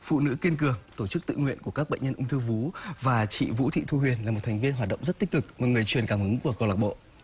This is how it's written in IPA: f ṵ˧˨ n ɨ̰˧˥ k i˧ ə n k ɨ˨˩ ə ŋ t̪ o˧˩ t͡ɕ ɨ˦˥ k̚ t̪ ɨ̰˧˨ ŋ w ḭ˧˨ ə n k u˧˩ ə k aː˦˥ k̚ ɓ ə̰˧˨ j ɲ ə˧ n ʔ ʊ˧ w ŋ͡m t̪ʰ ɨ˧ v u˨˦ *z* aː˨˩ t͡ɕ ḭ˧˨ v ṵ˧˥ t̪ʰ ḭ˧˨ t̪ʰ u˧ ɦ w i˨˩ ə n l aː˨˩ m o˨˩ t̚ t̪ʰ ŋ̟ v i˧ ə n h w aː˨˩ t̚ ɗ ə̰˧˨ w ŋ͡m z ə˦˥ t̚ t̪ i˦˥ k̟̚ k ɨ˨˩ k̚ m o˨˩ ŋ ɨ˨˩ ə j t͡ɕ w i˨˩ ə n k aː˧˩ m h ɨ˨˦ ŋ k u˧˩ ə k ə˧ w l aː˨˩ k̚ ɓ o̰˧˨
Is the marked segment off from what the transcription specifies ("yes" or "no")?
yes